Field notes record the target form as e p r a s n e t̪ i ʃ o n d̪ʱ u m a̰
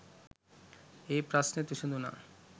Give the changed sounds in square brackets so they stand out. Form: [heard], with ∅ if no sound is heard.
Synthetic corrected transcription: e p [ɾ] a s n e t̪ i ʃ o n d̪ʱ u [n] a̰